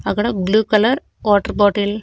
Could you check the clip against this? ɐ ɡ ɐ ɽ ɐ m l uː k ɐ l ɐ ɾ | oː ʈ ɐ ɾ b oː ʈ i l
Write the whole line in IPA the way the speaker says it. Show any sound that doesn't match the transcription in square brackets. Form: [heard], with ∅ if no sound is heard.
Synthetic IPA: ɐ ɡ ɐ ɽ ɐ [b] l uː k ɐ l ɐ ɾ | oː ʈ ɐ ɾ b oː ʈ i l